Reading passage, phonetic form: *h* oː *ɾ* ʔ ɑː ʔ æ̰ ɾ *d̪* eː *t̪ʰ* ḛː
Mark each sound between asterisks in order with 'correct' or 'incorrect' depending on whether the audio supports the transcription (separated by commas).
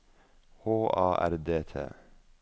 correct, incorrect, correct, correct